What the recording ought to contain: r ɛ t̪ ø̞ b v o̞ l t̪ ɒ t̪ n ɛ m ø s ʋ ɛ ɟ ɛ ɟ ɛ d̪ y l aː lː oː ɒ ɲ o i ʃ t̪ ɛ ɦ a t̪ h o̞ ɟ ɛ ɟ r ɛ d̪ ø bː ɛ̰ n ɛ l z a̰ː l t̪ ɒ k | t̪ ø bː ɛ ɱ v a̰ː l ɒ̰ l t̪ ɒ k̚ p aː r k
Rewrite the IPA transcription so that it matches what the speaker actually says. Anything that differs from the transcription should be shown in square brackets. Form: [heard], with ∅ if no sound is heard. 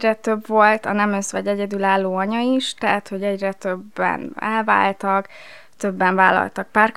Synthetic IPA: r ɛ t̪ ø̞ b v o̞ l t̪ ɒ [∅] n ɛ m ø s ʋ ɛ ɟ ɛ ɟ ɛ d̪ y l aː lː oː ɒ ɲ [ɒ] i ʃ t̪ ɛ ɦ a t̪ h o̞ ɟ ɛ ɟ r ɛ [t̪] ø bː ɛ̰ n ɛ l [v] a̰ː l t̪ ɒ k | t̪ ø bː ɛ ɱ v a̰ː l ɒ̰ l t̪ ɒ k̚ p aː r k